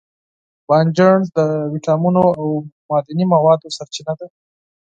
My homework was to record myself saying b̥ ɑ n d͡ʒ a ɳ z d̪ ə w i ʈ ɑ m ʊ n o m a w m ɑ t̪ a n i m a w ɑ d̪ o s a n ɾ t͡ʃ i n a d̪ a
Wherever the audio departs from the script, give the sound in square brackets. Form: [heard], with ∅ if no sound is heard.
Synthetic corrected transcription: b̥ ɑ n d͡ʒ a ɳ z d̪ ə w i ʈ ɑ m [u] n o [∅] a w m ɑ [d̪] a n i m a w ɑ d̪ o s a [∅] ɾ t͡ʃ i n a d̪ a